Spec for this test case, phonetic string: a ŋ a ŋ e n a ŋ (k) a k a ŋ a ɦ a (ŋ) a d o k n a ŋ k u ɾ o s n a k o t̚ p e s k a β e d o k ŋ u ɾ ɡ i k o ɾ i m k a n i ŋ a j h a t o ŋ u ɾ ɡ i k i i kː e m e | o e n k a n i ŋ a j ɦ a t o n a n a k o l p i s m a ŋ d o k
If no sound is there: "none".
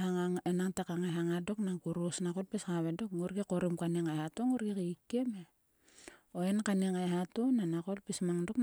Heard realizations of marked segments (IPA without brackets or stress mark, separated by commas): t, ŋ